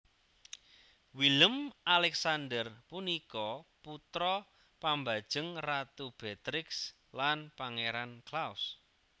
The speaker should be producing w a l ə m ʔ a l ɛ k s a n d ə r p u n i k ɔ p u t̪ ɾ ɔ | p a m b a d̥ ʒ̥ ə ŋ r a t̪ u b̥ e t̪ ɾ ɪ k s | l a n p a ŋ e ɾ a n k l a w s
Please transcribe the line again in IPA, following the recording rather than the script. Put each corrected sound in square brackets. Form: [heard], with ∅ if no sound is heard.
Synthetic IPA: w [i] l ə m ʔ a l ɛ k s a n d ə r p u n i k ɔ p u t̪ ɾ ɔ | p a m b a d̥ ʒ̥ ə ŋ r a t̪ u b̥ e t̪ ɾ ɪ k s | l a n p a ŋ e ɾ a n k l a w s

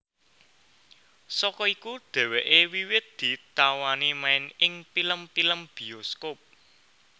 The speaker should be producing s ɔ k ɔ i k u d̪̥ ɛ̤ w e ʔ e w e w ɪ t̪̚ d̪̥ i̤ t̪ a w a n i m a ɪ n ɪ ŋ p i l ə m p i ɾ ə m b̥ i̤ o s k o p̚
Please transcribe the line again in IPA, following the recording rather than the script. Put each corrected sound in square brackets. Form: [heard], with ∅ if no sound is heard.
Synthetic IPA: s ɔ k ɔ i k u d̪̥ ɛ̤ w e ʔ e w [i] w ɪ t̪̚ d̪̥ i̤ t̪ a w a n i m a ɪ n ɪ ŋ p i l ə m p i [l] ə m b̥ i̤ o s k o p̚

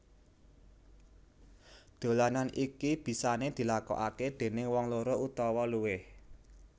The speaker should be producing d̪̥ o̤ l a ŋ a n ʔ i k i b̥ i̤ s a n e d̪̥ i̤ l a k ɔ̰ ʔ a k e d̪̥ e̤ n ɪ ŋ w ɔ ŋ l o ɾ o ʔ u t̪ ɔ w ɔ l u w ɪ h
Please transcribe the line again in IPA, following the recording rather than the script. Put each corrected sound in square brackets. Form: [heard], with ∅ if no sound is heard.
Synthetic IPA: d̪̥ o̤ l a [n] a n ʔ i k i b̥ i̤ s a n e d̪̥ i̤ l a k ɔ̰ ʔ a k e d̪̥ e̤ n ɪ ŋ w ɔ ŋ l o ɾ o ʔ u t̪ ɔ w ɔ l u w ɪ h

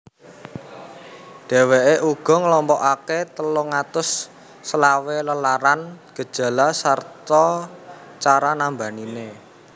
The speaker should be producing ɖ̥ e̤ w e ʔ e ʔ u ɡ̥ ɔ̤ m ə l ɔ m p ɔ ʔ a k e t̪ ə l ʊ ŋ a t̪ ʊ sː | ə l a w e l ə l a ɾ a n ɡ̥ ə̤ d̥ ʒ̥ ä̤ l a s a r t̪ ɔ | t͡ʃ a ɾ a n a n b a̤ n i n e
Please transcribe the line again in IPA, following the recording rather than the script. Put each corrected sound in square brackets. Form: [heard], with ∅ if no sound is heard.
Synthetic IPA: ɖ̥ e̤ w e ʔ e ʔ u ɡ̥ ɔ̤ [ŋ] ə l ɔ m p ɔ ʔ a k e t̪ ə l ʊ ŋ a t̪ ʊ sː | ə l a w e l ə l a ɾ a n ɡ̥ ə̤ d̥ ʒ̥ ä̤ l a s a r t̪ ɔ | t͡ʃ a ɾ a n a [m] b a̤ n i n e

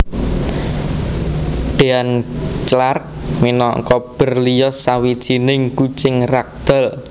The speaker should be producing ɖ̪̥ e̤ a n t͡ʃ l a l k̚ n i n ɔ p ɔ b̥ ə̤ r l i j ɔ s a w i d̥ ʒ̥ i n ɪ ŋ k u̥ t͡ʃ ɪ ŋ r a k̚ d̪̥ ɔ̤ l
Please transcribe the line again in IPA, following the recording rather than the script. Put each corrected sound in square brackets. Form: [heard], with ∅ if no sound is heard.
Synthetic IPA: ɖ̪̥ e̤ a n t͡ʃ l a [r] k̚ [m] i n ɔ [k] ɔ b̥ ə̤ r l i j ɔ s a w i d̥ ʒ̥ i n ɪ ŋ k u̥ t͡ʃ ɪ ŋ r a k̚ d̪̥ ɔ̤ l

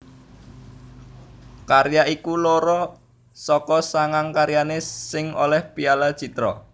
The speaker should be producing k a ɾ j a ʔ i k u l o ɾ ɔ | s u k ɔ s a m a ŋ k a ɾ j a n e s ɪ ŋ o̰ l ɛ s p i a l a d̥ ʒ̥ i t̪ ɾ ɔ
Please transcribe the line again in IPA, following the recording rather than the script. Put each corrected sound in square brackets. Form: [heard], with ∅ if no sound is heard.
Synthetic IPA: k a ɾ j a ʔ i k u l o ɾ ɔ | s [ɔ] k ɔ s a [ŋ] a ŋ k a ɾ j a n e s ɪ ŋ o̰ l ɛ [h] p i a l a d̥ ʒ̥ i t̪ ɾ ɔ

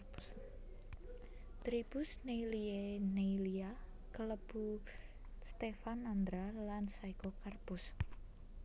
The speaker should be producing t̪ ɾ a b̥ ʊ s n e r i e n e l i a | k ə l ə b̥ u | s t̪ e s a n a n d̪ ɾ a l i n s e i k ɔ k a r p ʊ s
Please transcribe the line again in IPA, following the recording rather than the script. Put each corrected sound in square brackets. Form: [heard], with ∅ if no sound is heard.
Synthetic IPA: t̪ ɾ [i] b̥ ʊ s n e [l] i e n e l i a | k ə l ə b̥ u | s t̪ e [f] a n a n d̪ ɾ a l [a] n s [a] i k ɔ k a r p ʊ s

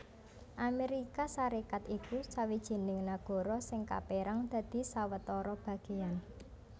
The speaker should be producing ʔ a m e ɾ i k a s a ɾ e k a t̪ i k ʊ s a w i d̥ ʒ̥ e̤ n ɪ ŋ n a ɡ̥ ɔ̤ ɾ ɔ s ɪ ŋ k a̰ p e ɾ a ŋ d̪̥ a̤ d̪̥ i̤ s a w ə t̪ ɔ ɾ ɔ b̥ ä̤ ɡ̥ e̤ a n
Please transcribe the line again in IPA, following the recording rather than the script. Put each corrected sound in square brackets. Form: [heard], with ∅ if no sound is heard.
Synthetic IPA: ʔ a m e ɾ i k a s a ɾ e k a t̪ i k [u] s a w i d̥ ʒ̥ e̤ n ɪ ŋ n a ɡ̥ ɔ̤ ɾ ɔ s ɪ ŋ k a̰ p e ɾ a ŋ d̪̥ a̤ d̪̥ i̤ s a w ə t̪ ɔ ɾ ɔ b̥ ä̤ ɡ̥ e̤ a n

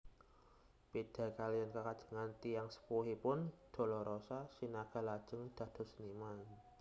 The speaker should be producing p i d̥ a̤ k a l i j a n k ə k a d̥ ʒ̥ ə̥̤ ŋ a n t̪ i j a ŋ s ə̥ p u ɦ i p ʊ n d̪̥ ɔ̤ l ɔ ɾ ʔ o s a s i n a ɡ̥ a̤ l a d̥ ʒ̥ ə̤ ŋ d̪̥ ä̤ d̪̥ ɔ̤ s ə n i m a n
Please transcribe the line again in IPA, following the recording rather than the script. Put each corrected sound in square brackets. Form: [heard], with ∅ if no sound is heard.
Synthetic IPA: p i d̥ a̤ k a l i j a n k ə k a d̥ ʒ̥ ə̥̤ ŋ a n t̪ i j a ŋ s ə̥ p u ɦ i p ʊ n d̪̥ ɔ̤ l ɔ ɾ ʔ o s a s i n a ɡ̥ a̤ l a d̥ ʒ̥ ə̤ ŋ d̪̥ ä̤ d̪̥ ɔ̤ s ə n i m a n

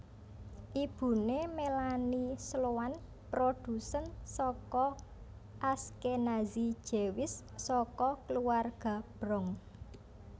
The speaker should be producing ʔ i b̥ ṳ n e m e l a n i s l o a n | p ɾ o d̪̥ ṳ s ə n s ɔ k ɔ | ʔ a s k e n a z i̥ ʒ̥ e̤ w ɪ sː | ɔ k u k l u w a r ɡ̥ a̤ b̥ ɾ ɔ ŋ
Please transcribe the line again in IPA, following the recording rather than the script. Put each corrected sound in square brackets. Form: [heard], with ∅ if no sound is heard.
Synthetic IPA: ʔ i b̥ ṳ n e m e l a n i s l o a n | p ɾ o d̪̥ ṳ s ə n s ɔ k ɔ | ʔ a s k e n a z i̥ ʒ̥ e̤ w ɪ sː | ɔ k [ɔ] k l u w a r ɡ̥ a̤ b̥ ɾ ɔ ŋ

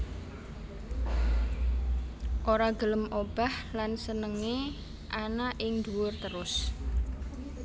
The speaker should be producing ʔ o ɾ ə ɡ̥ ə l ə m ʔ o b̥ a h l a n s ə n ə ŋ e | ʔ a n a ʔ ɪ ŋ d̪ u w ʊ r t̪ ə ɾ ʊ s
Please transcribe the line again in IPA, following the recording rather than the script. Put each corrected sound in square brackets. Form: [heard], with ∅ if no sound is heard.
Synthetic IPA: ʔ o ɾ [a] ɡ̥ ə l ə m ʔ o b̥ a h l a n s ə n ə ŋ e | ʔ a n a ʔ ɪ ŋ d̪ u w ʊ r t̪ ə ɾ ʊ s

